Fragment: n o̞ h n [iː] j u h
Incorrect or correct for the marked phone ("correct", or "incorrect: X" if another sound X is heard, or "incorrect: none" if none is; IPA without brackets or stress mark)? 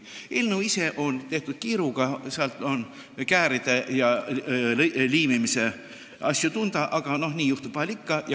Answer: correct